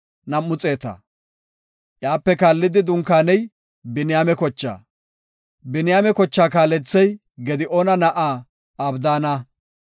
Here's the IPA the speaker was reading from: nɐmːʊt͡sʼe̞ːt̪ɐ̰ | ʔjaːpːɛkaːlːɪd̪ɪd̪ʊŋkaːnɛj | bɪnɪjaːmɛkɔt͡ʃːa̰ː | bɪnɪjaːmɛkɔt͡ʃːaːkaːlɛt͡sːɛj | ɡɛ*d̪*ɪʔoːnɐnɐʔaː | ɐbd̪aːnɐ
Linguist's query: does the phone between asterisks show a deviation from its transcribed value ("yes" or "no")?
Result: no